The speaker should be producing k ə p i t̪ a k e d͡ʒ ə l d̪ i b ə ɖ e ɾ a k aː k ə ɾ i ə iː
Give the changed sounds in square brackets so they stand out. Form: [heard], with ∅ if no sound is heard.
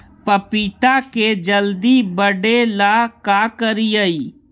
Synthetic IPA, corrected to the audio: [p] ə p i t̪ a k e d͡ʒ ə l d̪ i b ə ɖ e [l] a k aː k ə ɾ i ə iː